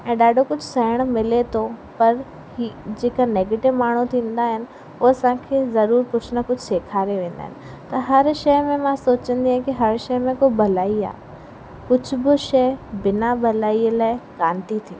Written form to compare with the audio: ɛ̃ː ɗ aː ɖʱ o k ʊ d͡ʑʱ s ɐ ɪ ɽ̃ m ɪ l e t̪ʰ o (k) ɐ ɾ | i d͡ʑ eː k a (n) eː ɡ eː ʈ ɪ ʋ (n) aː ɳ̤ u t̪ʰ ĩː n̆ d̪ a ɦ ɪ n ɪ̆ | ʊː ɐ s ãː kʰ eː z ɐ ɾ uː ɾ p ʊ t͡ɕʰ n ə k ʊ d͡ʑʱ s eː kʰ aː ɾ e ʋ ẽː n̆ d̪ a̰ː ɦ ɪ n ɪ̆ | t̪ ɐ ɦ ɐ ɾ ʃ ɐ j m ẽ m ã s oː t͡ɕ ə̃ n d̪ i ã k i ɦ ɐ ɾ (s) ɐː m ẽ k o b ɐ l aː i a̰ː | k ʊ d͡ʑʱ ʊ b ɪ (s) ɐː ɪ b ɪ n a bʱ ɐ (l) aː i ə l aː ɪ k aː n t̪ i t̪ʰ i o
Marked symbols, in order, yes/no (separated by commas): no, yes, no, no, no, yes